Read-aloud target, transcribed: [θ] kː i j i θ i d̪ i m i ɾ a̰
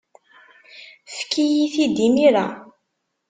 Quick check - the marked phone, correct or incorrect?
incorrect